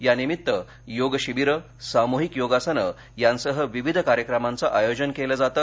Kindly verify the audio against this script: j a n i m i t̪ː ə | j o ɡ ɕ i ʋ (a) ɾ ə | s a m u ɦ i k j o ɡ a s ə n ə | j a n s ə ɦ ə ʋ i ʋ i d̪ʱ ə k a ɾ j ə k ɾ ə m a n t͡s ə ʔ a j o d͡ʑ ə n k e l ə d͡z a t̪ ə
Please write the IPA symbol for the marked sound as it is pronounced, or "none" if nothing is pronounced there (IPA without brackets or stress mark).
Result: i